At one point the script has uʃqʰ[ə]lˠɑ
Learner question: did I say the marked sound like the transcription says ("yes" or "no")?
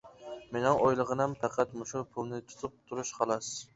no